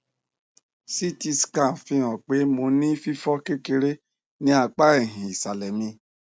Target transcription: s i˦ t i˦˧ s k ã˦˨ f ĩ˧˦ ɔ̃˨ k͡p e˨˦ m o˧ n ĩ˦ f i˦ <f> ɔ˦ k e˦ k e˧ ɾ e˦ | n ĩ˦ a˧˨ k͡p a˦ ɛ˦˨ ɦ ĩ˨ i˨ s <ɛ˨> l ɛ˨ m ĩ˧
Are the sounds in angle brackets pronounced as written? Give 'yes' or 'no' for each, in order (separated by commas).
yes, no